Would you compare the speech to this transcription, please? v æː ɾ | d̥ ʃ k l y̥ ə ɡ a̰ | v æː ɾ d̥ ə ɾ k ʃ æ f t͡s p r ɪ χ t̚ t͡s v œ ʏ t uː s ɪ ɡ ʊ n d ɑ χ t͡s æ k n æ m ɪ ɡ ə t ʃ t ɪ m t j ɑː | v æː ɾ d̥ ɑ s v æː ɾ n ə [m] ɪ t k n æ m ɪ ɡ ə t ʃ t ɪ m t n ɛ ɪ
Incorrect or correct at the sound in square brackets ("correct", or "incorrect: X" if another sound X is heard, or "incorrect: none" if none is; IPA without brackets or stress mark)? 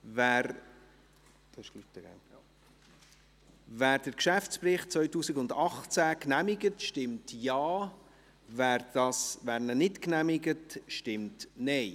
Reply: incorrect: n